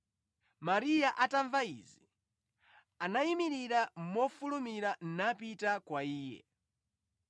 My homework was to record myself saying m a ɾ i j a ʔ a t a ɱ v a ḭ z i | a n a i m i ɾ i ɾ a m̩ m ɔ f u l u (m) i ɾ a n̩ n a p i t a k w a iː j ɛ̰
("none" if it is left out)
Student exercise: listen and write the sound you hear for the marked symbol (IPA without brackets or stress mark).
m